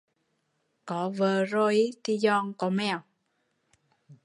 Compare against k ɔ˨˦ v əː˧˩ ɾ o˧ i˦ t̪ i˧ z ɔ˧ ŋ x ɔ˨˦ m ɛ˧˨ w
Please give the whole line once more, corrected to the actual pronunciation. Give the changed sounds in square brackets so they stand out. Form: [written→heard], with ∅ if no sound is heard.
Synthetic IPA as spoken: k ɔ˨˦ v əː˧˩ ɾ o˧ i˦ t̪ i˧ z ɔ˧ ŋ [x→k] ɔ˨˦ m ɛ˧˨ w